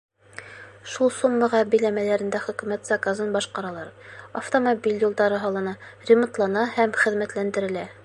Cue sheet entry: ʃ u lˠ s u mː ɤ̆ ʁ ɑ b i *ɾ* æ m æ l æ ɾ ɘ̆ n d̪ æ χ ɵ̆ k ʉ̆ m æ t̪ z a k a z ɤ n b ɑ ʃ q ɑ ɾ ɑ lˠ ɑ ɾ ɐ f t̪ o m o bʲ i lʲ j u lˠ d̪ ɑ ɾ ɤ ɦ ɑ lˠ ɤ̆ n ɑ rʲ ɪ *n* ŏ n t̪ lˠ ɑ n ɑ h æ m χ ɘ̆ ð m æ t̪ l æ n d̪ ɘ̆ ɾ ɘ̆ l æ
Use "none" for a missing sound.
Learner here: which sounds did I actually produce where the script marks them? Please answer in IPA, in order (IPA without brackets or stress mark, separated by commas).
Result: l, m